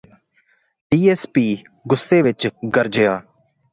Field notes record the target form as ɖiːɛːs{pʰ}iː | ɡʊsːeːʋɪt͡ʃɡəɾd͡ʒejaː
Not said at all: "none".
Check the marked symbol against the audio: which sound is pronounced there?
p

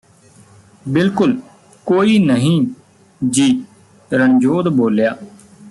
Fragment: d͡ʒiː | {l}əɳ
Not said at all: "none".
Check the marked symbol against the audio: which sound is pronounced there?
ɾ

